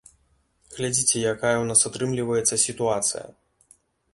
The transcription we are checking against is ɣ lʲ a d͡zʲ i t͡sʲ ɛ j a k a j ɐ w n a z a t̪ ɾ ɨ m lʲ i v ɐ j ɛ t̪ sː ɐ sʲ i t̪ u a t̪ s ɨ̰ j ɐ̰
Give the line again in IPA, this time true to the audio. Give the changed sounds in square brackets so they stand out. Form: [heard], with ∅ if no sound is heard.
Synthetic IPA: ɣ lʲ a d͡zʲ i t͡sʲ ɛ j a k a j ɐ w n a [s] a t̪ ɾ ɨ m lʲ i v ɐ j ɛ t̪ sː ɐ sʲ i t̪ u a t̪ s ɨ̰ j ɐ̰